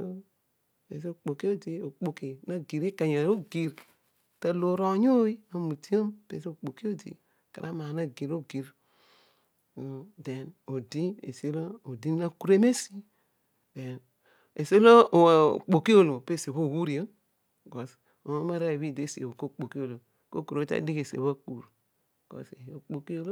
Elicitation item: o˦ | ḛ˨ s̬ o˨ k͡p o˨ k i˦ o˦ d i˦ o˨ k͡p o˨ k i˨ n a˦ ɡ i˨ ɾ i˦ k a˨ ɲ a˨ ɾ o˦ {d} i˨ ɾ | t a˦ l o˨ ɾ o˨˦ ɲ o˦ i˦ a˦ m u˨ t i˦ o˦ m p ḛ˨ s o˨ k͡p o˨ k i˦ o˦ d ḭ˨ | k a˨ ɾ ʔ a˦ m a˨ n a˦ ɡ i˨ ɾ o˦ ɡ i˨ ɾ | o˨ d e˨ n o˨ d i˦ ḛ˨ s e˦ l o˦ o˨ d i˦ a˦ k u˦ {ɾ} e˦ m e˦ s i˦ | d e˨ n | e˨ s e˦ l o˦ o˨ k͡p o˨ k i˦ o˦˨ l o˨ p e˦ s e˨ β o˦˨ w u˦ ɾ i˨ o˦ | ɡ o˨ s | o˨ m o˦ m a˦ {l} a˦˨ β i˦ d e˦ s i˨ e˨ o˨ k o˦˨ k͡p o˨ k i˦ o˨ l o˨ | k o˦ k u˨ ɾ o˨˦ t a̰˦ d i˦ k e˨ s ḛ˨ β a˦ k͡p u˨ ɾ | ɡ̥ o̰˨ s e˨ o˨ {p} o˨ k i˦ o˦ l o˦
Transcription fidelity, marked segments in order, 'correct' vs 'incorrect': incorrect, correct, incorrect, incorrect

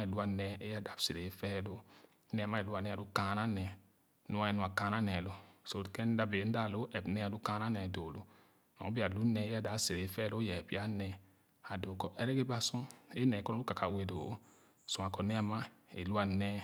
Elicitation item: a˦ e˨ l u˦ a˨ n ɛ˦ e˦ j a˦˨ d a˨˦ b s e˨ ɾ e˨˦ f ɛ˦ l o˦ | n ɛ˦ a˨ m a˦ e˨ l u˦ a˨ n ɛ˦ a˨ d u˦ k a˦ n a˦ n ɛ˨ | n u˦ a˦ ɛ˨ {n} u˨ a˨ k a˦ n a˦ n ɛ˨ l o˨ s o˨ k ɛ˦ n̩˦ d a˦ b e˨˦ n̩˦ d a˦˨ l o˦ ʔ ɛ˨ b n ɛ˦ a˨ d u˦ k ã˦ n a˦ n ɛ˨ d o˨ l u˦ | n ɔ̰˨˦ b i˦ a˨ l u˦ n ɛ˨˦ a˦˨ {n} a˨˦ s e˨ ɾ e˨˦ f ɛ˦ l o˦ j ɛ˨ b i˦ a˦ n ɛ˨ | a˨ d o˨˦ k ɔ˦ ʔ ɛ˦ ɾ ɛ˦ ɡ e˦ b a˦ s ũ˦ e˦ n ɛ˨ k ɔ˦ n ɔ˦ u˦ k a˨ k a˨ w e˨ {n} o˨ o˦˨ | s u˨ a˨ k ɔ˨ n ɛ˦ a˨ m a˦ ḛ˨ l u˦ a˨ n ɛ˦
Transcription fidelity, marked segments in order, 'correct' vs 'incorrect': correct, incorrect, incorrect

